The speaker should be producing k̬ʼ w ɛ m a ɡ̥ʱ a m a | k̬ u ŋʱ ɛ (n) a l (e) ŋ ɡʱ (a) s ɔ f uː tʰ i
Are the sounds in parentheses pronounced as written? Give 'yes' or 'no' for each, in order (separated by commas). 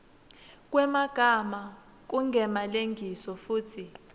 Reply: no, yes, no